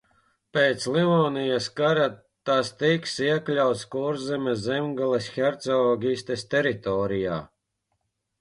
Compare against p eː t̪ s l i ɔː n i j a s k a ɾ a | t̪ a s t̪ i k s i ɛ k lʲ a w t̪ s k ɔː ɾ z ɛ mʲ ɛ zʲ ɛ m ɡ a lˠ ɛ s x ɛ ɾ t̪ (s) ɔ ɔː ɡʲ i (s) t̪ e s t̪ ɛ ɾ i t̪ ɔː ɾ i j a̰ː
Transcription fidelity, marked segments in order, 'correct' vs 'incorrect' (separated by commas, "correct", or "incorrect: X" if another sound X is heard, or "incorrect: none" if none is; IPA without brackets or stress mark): correct, correct